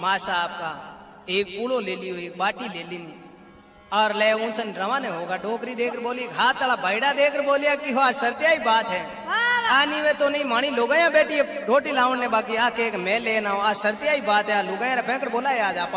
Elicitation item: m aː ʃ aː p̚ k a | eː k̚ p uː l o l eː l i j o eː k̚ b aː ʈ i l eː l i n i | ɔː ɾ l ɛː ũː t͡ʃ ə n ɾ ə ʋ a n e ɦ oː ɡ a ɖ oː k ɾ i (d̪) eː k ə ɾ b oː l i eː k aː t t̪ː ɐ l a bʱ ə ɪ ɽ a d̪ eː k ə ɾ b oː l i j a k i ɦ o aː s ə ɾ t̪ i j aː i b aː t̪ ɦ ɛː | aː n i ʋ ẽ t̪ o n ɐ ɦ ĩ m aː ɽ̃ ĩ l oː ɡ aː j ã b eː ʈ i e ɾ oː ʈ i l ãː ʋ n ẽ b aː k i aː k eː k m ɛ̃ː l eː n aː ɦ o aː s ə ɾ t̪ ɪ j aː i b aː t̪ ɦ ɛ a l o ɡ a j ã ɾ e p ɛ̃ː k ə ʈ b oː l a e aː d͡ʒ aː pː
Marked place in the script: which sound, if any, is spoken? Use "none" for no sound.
d̪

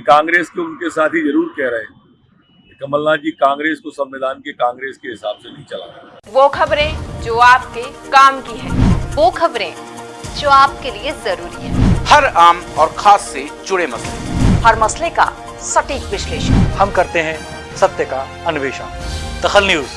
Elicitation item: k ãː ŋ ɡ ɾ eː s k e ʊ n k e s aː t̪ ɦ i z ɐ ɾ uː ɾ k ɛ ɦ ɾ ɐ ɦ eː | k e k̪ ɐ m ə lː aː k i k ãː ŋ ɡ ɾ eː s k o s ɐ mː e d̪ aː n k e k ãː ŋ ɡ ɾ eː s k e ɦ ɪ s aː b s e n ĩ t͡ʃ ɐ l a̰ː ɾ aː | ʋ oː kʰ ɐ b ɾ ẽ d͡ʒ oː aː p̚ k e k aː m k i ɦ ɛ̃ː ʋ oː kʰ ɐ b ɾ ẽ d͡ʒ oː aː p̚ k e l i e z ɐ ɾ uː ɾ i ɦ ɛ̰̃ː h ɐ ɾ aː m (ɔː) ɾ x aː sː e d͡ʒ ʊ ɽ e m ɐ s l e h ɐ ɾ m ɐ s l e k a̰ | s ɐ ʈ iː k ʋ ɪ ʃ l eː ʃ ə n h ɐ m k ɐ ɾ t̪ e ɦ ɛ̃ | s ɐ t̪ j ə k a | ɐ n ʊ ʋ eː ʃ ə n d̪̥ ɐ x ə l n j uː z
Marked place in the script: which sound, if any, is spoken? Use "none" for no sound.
ɔː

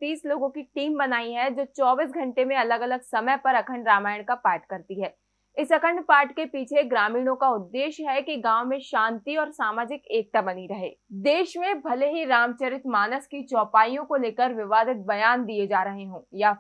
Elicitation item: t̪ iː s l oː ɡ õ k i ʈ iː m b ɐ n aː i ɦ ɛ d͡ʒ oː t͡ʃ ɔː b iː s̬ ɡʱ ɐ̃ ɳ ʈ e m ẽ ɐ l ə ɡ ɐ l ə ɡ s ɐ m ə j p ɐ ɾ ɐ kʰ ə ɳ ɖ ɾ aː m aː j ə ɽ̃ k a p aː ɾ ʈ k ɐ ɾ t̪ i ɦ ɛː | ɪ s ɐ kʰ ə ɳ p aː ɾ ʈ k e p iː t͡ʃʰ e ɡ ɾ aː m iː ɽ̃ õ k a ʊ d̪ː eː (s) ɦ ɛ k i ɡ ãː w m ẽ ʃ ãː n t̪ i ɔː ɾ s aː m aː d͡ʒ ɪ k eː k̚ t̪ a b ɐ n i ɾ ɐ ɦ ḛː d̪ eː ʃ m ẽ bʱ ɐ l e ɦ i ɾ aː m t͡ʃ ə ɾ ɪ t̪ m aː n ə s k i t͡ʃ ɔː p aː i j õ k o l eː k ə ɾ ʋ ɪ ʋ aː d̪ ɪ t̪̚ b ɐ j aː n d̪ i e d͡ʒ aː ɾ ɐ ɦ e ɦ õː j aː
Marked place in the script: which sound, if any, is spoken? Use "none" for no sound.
ʃ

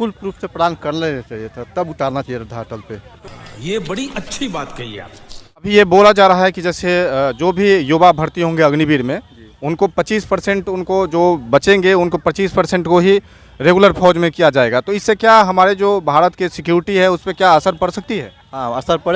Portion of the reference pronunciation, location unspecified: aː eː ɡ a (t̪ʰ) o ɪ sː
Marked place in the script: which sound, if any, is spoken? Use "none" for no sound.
t̪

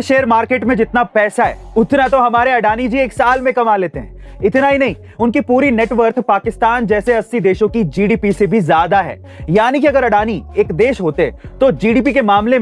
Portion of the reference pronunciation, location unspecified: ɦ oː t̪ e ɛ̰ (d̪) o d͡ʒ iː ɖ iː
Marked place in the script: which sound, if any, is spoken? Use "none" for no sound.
t̪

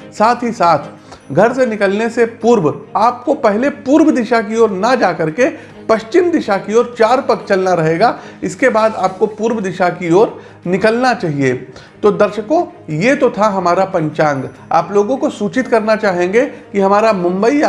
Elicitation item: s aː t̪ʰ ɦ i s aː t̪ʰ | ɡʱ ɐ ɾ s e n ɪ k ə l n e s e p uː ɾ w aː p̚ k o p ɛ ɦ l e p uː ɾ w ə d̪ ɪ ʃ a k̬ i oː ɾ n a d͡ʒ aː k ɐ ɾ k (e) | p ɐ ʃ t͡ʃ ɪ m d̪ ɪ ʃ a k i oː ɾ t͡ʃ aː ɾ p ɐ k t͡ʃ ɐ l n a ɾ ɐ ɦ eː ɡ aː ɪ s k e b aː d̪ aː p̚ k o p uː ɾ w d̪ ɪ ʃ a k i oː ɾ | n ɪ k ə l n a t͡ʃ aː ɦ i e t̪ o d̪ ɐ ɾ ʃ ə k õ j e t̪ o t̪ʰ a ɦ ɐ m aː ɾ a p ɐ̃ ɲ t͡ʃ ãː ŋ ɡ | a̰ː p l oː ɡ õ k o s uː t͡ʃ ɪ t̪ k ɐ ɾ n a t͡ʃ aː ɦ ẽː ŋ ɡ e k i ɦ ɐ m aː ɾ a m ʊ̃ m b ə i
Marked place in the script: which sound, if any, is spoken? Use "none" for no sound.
e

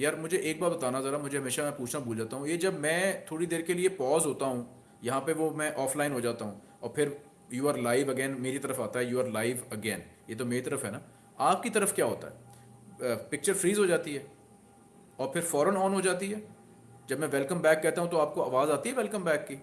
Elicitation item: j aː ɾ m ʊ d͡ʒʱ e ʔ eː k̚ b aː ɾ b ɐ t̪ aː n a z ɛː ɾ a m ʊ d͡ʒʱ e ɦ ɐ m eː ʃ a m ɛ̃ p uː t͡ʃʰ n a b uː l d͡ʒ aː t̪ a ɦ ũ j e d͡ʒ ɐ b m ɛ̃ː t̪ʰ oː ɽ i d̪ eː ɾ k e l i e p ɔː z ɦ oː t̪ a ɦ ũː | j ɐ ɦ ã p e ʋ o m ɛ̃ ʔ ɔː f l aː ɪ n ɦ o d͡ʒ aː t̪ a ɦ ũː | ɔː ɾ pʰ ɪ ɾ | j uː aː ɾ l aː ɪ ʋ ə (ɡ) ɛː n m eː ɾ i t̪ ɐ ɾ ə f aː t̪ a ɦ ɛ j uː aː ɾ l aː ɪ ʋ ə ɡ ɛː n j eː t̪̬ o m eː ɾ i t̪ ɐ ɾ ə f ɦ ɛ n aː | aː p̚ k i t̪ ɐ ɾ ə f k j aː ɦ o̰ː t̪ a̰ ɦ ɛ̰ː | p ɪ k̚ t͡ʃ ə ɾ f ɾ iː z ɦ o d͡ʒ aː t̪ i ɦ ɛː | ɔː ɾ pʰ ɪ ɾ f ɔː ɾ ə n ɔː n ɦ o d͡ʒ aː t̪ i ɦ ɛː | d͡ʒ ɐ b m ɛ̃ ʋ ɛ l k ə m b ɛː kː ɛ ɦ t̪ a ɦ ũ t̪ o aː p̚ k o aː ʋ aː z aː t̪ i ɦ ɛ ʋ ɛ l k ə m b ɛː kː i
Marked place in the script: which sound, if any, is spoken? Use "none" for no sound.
ɡ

